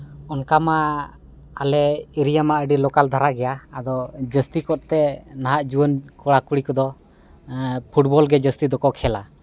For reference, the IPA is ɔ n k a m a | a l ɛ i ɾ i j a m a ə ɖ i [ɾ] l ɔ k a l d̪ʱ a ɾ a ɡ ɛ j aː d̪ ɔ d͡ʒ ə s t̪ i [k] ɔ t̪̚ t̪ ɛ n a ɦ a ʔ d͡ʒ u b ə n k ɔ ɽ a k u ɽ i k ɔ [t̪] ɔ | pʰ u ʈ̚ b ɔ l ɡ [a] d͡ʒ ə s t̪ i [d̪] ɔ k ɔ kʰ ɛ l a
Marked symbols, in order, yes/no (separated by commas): no, yes, no, no, yes